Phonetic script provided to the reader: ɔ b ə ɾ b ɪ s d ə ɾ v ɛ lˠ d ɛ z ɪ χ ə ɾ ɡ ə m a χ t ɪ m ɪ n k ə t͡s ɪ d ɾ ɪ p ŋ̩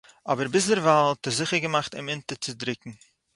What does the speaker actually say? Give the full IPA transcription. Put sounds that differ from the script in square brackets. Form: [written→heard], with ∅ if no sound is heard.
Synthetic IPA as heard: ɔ b ə ɾ b ɪ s d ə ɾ v [ɛ→a] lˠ [d→t] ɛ z ɪ χ ə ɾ ɡ ə m a χ t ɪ m ɪ n [k→t] ə t͡s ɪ d ɾ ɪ [p→k] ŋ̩